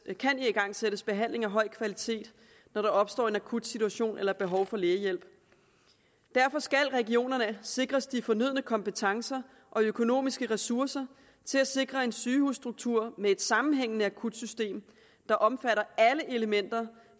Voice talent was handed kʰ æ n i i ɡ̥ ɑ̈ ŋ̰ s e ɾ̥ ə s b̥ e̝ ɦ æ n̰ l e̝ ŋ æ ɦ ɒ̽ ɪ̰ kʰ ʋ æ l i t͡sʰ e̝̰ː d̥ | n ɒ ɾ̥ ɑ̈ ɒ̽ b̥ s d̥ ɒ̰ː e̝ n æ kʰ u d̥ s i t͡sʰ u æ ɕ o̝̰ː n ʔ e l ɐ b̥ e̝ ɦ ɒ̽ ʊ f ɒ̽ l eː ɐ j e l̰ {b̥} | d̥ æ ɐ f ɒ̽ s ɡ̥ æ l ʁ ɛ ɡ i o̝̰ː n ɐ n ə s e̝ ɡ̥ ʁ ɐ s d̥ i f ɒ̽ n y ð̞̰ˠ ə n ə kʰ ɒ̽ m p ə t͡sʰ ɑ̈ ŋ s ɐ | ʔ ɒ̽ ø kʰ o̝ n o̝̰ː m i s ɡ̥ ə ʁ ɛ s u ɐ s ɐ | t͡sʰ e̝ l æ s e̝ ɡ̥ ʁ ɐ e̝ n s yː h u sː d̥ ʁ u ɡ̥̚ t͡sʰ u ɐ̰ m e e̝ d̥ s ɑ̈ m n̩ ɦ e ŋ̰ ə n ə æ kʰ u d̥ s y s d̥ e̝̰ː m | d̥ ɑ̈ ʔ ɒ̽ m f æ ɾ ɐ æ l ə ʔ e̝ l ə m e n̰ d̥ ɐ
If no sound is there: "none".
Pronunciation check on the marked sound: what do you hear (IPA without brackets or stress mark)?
b̥